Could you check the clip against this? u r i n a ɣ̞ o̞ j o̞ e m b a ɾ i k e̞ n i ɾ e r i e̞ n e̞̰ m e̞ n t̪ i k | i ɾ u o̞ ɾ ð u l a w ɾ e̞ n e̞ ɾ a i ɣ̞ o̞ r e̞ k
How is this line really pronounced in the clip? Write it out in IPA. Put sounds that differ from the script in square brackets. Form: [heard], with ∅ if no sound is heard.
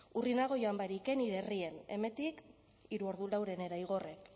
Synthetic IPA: u r i n a ɣ̞ o̞ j o̞ [a] m b a ɾ i k e̞ n i ɾ e r i e̞ n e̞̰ m e̞ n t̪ i k | i ɾ u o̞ ɾ ð u l a w ɾ e̞ n e̞ ɾ a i ɣ̞ o̞ r e̞ k